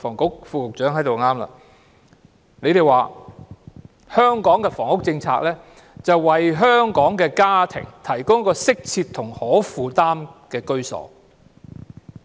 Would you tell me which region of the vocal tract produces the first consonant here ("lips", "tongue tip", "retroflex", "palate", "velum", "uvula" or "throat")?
lips